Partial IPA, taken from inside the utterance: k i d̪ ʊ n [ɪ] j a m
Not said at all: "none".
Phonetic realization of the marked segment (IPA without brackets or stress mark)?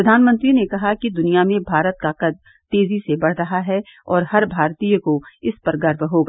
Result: i